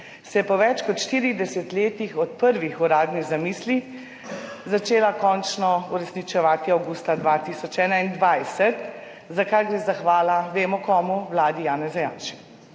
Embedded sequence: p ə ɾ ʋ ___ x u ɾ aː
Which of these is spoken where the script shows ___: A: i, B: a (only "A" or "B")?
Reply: A